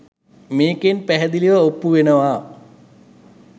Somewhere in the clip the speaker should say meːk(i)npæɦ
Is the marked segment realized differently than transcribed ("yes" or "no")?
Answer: yes